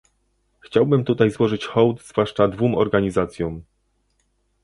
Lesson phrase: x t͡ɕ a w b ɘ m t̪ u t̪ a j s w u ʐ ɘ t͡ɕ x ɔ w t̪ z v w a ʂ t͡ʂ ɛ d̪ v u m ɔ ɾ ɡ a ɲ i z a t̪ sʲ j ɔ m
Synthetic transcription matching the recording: x t͡ɕ a w b ɘ m t̪ u t̪ a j z w ɔ ʐ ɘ t͡ɕ x ɔ w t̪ z v w a ʂ t͡ʂ a d̪ v u m ɔ ɾ ɡ a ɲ i z a t̪ sʲ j ɔ m